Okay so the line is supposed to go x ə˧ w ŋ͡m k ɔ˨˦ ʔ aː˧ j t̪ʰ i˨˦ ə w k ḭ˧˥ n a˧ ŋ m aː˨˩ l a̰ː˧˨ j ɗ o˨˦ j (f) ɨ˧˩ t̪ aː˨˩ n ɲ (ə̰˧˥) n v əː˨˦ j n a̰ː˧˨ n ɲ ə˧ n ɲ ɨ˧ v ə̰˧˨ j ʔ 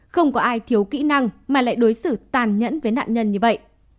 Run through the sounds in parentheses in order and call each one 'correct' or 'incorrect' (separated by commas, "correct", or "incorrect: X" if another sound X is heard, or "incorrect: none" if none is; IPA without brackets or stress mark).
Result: incorrect: s, correct